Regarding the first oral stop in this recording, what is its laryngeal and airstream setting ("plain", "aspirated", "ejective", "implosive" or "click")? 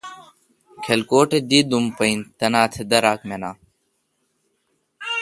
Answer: aspirated